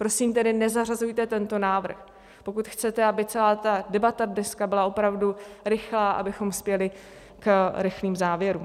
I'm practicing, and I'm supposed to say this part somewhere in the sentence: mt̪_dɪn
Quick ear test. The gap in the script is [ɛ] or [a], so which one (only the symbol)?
ɛ